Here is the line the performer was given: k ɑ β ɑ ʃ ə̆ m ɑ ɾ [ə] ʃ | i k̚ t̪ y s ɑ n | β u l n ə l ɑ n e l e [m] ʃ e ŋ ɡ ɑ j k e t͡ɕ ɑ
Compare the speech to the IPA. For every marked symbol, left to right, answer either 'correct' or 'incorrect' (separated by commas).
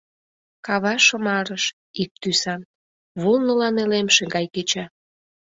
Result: correct, correct